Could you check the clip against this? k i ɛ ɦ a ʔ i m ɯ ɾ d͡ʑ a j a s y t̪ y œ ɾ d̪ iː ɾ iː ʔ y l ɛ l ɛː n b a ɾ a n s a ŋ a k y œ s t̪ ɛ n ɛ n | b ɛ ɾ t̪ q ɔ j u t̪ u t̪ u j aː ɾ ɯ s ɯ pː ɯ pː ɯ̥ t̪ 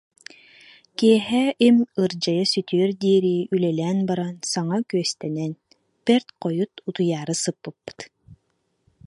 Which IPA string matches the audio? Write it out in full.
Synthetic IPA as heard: k i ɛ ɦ ɛ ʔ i m ɯ ɾ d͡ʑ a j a s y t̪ y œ ɾ d̪ iː ɾ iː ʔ y l ɛ l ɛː n b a ɾ a n s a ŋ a k y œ s t̪ ɛ n ɛ n | p ɛ ɾ t̪ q ɔ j u t̪ u t̪ u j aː ɾ ɯ s ɯ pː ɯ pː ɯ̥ t̪